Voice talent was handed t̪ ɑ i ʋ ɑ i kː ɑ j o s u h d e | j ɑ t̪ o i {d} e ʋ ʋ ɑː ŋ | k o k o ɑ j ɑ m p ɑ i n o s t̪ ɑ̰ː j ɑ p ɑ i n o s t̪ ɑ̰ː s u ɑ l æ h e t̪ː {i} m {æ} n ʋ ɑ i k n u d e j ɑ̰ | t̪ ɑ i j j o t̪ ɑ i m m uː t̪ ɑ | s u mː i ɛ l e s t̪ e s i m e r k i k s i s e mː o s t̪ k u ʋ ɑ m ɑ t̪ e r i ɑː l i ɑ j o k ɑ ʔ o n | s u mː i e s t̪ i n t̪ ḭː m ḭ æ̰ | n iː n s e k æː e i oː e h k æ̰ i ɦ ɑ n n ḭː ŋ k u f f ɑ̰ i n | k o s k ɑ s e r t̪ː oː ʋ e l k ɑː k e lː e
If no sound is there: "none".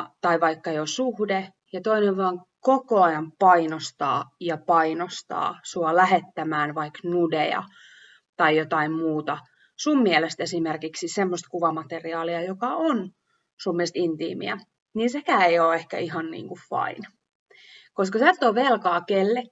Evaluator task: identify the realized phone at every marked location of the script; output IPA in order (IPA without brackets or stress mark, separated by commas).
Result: n, æ, æː